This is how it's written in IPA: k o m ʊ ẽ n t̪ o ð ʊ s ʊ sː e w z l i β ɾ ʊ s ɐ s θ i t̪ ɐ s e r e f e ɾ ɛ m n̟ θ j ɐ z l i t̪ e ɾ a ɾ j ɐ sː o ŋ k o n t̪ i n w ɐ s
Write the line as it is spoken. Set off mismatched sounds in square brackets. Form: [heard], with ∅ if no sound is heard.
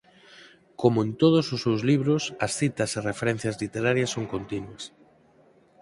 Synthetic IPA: k o m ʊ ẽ n t̪ o ð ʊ s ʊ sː e w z l i β ɾ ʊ s ɐ s θ i t̪ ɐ s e r e f e ɾ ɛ [∅] n̟ θ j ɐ z l i t̪ e ɾ a ɾ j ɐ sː o ŋ k o n t̪ i n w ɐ s